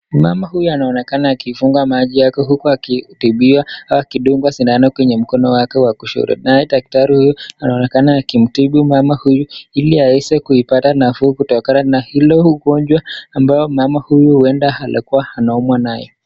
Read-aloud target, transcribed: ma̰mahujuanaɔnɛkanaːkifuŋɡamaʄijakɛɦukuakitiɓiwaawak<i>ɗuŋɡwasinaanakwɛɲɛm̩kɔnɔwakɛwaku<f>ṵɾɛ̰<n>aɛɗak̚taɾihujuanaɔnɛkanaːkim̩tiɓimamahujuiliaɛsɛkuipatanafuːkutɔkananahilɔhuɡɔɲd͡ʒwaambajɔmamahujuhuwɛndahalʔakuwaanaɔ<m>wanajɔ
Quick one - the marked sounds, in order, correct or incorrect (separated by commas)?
correct, incorrect, correct, correct